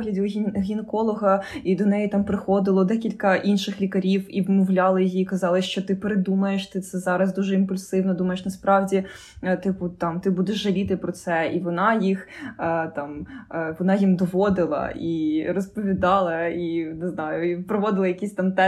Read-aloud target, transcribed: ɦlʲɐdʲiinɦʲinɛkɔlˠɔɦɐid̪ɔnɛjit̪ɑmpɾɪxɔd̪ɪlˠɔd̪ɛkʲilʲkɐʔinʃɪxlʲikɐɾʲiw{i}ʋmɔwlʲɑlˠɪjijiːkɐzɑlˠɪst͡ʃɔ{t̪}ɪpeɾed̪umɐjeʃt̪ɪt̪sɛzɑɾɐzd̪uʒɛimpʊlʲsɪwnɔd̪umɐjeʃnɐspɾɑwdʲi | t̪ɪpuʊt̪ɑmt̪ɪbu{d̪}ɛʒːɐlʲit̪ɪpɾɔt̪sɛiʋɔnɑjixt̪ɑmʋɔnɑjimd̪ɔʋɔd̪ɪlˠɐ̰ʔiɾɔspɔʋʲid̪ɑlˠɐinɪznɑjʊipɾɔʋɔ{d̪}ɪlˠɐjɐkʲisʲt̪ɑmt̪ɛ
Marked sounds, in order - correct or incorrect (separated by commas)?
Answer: correct, correct, correct, correct